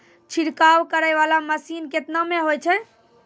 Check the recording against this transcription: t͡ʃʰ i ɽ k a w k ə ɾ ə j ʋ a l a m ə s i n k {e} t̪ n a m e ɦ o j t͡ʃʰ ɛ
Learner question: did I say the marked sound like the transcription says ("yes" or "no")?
yes